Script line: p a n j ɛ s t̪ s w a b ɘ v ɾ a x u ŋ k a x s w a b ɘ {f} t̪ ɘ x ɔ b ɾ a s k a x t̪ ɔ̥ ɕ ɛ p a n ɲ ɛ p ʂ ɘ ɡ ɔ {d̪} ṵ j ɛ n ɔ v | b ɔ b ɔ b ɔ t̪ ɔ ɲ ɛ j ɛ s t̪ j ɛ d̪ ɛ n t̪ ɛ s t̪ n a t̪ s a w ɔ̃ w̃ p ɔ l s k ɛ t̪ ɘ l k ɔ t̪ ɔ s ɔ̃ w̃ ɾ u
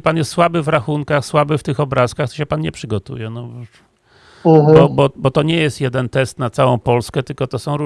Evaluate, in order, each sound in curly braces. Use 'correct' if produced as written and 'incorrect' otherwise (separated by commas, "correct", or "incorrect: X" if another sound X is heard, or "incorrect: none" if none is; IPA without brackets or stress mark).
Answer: correct, incorrect: t̪